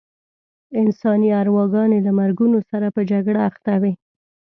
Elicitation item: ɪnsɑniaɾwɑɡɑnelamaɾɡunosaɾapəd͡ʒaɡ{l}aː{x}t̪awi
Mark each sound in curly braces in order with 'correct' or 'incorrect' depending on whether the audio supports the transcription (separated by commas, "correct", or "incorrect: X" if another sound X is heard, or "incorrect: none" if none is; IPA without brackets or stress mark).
incorrect: ɽ, correct